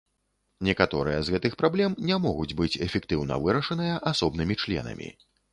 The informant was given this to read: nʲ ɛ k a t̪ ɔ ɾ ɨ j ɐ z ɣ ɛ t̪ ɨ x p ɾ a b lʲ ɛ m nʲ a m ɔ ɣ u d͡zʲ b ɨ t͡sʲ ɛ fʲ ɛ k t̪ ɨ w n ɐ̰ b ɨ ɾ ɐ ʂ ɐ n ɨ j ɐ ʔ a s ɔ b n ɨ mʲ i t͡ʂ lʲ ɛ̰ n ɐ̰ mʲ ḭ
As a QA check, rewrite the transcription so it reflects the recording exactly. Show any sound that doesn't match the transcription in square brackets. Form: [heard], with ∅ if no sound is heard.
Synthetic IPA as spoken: nʲ ɛ k a t̪ ɔ ɾ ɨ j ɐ z ɣ ɛ t̪ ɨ x p ɾ a b lʲ ɛ m nʲ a m ɔ ɣ u d͡zʲ b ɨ t͡sʲ ɛ fʲ ɛ k t̪ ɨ w n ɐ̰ [v] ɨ ɾ ɐ ʂ ɐ n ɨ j ɐ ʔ a s ɔ b n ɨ mʲ i t͡ʂ lʲ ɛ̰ n ɐ̰ mʲ ḭ

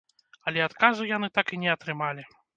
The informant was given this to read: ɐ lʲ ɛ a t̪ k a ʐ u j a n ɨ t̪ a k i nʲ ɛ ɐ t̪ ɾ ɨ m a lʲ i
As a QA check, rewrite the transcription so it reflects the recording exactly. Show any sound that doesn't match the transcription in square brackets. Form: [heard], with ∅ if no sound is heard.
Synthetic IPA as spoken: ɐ lʲ ɛ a t̪ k a [z] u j a n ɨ t̪ a k i nʲ ɛ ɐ t̪ ɾ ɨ m a lʲ i

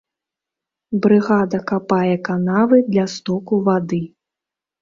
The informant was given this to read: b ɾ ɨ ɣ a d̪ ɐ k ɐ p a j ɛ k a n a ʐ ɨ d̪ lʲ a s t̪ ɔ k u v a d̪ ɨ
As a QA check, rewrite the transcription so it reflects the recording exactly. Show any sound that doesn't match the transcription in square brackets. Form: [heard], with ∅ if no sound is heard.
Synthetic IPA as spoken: b ɾ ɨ ɣ a d̪ ɐ k [a] p a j ɛ k a n a [v] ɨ d̪ lʲ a s t̪ ɔ k u v a d̪ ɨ

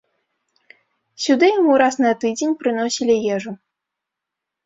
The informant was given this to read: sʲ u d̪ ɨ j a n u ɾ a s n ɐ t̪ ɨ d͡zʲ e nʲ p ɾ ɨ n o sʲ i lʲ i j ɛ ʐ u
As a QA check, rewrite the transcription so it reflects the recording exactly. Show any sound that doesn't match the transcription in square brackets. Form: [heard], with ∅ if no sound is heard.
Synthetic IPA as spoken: sʲ u d̪ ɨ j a [m] u ɾ a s n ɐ t̪ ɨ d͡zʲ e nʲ p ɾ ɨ n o sʲ i lʲ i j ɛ ʐ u

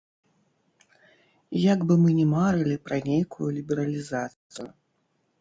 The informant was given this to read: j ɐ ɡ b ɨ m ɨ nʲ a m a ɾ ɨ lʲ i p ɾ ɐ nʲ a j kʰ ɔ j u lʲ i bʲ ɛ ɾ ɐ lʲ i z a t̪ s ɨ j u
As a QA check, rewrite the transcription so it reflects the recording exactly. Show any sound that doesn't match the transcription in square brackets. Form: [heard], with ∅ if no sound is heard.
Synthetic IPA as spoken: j [a] ɡ b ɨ m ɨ nʲ [ɛ] m a ɾ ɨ lʲ i p ɾ ɐ nʲ [e] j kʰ [u] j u lʲ i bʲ ɛ ɾ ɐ lʲ i z a t̪ s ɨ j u

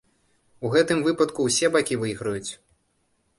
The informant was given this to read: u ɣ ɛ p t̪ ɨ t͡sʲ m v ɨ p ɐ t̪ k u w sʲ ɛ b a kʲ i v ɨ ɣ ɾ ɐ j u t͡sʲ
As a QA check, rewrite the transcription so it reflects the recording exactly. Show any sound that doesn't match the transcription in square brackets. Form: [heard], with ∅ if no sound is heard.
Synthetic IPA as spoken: u ɣ ɛ [∅] t̪ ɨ [∅] m v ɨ p ɐ t̪ k u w sʲ ɛ b a kʲ i v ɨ ɣ ɾ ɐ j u t͡sʲ

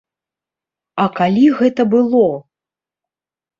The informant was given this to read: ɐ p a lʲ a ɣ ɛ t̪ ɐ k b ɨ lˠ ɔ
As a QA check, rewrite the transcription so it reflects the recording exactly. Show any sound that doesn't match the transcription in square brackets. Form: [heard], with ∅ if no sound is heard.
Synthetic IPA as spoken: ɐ [k] a lʲ [i] ɣ ɛ t̪ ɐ [∅] b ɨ lˠ ɔ

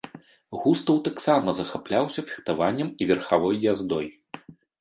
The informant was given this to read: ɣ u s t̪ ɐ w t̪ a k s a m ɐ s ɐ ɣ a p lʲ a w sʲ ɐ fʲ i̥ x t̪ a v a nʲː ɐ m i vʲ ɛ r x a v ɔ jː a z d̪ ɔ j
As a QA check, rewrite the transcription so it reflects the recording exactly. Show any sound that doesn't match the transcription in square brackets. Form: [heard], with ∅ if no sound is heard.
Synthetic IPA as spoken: ɣ u s t̪ ɐ w t̪ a k s a m ɐ [z] ɐ [x] a p lʲ a w sʲ ɐ fʲ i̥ x t̪ a v a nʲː ɐ m i vʲ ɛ r x a v ɔ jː a z d̪ ɔ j

